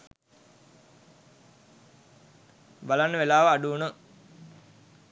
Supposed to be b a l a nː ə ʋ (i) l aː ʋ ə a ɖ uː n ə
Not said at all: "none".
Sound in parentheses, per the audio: e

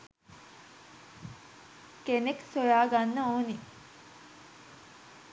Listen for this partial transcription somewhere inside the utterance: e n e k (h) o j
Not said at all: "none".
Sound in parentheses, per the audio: s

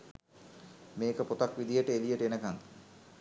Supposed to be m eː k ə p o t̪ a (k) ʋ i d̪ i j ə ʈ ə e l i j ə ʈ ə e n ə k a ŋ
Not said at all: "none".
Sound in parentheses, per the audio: k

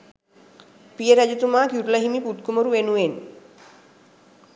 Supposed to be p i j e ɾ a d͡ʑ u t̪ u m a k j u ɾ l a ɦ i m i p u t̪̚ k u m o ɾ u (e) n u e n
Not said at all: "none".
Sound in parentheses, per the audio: e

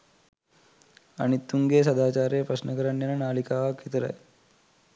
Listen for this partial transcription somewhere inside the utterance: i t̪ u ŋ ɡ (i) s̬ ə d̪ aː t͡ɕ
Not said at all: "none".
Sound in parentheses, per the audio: e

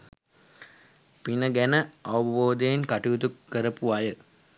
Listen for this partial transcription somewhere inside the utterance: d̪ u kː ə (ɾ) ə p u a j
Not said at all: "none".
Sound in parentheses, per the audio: ɾ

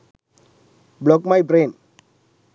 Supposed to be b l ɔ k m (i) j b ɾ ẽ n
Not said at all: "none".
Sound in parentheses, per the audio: a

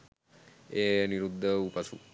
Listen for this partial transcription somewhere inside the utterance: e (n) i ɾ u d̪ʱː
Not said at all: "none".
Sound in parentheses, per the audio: n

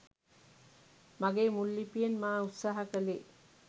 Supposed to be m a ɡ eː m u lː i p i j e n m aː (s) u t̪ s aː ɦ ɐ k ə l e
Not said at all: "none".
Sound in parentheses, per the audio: none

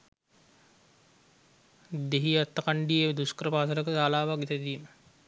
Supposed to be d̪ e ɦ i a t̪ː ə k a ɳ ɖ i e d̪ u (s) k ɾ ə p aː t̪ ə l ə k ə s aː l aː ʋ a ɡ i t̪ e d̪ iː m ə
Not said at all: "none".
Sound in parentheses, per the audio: s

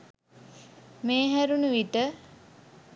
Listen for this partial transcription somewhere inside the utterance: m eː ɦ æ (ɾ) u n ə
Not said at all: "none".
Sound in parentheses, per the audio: ɾ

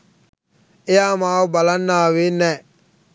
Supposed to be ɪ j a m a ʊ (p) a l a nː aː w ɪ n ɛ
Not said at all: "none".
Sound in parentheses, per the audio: b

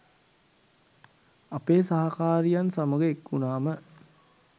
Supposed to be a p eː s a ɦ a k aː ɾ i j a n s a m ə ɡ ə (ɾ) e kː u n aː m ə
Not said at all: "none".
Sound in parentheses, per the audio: none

